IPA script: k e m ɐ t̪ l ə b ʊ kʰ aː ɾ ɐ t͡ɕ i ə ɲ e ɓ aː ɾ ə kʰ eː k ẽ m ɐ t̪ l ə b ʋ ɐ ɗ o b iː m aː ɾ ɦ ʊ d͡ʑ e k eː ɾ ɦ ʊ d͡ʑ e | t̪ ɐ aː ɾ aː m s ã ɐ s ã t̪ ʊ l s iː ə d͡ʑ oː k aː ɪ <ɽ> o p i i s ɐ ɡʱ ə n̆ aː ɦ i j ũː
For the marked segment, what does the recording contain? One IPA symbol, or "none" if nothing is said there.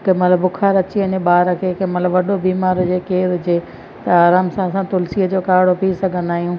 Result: ɽ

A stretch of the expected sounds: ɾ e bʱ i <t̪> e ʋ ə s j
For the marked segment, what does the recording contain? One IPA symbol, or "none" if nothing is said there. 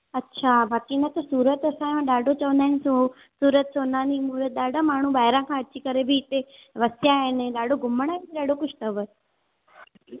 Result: t̪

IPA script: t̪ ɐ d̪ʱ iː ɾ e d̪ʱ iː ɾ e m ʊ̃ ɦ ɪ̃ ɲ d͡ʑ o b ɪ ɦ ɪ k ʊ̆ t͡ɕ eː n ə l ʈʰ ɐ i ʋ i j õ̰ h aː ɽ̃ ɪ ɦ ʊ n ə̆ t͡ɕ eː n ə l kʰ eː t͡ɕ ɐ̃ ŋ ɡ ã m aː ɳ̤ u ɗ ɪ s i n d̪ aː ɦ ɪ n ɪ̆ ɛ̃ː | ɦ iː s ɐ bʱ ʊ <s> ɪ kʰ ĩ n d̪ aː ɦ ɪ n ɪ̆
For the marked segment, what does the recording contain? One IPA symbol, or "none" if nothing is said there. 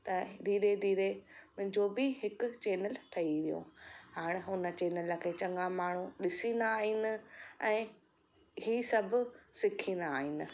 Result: s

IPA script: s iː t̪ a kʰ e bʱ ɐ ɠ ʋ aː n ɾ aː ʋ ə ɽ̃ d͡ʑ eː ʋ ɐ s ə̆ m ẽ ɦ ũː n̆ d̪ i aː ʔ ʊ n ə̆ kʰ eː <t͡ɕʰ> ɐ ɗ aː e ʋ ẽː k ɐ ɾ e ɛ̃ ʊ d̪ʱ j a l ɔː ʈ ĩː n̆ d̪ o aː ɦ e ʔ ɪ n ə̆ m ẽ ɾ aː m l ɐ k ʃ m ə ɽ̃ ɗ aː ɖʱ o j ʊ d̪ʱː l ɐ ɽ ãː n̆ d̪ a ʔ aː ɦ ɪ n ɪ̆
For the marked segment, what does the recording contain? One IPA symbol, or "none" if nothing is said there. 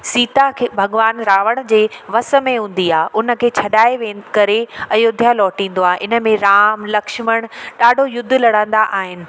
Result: t͡ɕʰ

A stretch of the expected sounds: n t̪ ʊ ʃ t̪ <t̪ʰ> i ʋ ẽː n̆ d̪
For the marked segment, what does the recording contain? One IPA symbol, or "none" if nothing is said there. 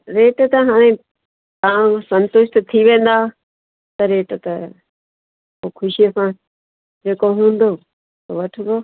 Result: t̪ʰ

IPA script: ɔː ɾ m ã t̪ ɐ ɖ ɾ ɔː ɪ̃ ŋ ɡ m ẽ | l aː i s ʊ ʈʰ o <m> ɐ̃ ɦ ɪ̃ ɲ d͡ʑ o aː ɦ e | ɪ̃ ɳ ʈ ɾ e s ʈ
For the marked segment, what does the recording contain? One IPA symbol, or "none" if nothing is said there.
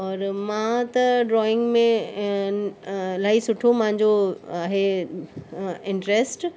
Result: m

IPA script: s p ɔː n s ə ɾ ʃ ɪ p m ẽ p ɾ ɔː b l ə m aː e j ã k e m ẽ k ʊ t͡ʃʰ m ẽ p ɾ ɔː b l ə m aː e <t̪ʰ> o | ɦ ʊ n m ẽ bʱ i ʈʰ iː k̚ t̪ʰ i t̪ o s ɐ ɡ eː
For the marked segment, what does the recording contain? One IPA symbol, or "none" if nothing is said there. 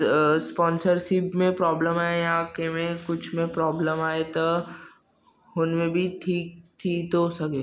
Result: t̪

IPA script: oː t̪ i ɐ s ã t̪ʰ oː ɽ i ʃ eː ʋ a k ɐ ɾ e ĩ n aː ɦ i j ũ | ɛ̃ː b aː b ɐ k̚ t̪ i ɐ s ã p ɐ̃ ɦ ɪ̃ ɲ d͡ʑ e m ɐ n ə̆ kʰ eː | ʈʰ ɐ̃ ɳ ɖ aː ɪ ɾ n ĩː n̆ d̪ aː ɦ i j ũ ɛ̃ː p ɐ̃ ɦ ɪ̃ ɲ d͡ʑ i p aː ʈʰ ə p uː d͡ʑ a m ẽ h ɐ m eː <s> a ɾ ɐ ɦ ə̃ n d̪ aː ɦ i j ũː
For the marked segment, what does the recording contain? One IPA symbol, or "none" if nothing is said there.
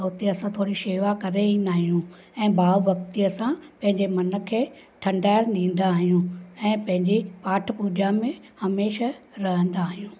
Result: ʃ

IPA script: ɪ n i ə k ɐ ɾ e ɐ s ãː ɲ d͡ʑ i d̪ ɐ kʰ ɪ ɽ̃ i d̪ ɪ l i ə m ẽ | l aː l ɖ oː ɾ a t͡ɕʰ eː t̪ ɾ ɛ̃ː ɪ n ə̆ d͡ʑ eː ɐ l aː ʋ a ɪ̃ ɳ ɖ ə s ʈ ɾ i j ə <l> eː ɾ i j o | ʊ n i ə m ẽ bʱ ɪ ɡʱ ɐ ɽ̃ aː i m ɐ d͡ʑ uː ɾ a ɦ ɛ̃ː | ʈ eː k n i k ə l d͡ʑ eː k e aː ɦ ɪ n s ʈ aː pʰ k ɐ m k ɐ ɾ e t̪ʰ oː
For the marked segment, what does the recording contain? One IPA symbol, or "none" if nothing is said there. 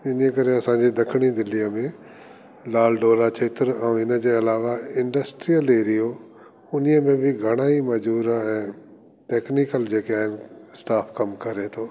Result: l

